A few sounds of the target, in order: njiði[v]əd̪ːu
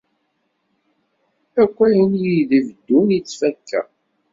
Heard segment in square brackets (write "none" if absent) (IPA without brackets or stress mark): v